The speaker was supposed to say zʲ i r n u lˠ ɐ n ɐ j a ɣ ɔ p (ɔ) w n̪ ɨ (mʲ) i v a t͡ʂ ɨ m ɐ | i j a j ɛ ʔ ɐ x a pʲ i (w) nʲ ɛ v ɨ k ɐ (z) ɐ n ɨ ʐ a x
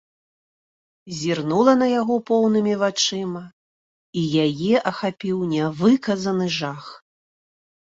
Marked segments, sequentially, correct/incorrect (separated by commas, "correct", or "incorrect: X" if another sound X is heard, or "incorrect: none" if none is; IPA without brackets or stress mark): correct, correct, correct, correct